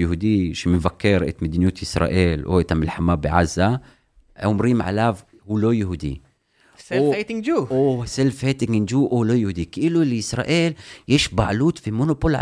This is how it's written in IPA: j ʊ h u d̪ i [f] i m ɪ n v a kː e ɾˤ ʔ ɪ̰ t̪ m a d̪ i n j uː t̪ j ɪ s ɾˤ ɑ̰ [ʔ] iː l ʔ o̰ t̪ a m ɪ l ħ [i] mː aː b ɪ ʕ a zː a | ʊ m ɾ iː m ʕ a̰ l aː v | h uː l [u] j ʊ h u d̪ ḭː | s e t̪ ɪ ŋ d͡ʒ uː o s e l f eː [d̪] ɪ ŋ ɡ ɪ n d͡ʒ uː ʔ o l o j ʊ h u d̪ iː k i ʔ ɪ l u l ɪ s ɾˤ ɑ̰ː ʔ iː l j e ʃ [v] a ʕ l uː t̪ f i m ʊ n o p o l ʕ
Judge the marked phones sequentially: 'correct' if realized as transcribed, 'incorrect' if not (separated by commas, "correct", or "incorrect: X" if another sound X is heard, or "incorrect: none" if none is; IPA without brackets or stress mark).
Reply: incorrect: ʃ, correct, incorrect: a, incorrect: o, incorrect: t̪, incorrect: b